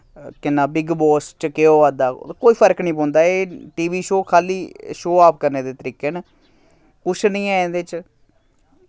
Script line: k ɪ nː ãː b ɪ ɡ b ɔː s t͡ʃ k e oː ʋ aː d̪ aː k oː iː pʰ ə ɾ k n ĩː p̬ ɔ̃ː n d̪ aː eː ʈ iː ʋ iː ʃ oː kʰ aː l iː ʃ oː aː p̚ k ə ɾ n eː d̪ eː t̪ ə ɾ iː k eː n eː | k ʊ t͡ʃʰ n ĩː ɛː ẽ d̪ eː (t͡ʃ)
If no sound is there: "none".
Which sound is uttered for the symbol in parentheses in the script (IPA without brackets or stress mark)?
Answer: t͡ʃ